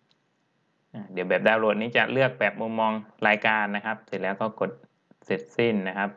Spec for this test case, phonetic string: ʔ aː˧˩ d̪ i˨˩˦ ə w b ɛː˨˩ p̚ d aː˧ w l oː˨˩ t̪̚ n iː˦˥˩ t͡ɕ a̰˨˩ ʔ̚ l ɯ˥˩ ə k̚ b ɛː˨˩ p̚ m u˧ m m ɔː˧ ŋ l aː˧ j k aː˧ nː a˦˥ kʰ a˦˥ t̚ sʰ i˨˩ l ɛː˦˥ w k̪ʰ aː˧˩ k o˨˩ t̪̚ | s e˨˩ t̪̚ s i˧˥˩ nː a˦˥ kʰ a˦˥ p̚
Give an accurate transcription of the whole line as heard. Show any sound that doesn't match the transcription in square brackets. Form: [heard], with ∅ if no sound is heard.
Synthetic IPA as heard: ʔ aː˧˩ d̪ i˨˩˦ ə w b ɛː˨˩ p̚ d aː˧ w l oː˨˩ t̪̚ n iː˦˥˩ t͡ɕ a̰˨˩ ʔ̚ l ɯ˥˩ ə k̚ b ɛː˨˩ p̚ m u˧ m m ɔː˧ ŋ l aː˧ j k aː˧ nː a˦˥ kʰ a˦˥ [p̚] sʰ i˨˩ l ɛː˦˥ w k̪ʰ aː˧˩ k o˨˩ t̪̚ | s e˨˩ t̪̚ s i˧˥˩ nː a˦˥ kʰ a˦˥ p̚